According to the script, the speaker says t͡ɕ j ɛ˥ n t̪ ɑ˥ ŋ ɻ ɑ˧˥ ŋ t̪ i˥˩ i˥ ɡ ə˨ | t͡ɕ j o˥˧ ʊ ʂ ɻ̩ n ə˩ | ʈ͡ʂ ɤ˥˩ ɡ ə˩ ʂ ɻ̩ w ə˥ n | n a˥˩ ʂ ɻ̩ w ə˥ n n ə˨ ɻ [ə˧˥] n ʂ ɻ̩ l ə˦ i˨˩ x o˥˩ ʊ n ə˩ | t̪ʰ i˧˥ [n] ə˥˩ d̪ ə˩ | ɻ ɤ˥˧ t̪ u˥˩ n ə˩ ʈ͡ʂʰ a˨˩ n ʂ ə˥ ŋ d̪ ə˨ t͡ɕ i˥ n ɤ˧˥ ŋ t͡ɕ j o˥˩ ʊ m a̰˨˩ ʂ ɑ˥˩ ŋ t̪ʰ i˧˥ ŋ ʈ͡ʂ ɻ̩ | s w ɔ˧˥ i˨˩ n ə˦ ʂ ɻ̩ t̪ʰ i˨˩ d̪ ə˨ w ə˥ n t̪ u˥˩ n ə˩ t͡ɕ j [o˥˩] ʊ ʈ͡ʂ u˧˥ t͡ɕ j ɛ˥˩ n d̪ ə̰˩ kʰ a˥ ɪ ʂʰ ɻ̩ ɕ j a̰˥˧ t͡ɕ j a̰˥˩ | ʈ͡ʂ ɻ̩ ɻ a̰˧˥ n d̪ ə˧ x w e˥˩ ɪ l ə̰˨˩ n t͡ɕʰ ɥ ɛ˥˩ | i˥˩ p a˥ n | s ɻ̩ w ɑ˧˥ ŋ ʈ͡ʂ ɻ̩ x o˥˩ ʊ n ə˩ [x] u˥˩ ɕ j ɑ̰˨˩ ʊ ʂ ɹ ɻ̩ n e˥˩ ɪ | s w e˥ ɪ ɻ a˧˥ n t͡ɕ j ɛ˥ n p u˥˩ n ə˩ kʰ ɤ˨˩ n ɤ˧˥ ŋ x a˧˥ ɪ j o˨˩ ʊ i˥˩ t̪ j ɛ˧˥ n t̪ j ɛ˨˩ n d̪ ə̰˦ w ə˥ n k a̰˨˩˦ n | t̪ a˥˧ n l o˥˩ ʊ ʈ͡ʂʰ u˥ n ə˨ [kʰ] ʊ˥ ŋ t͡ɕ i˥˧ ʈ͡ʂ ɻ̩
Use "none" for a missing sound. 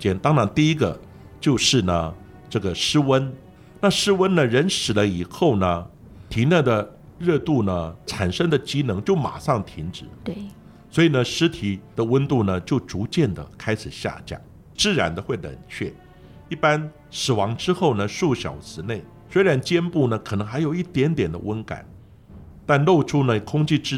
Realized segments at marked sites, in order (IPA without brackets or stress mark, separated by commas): ə˧˥, n, o˥˩, ʂ, kʰ